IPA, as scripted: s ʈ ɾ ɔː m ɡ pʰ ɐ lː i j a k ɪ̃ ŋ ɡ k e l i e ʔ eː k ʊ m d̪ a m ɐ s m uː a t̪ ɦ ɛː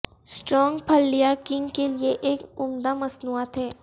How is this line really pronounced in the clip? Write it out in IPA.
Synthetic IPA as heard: s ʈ ɾ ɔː ŋ ɡ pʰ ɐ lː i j a k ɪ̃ ŋ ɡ k e l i e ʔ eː k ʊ m d̪ a m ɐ s n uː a t̪ ɦ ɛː